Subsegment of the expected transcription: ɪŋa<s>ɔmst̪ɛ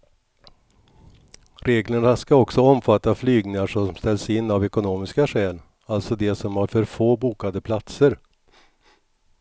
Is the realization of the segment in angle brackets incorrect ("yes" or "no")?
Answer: yes